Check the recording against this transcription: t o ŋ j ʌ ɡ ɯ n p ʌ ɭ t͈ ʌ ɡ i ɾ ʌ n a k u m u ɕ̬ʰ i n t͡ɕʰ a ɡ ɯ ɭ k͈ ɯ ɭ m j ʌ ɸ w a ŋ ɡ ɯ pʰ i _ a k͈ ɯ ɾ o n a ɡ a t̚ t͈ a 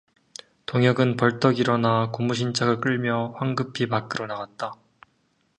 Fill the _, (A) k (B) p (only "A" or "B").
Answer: B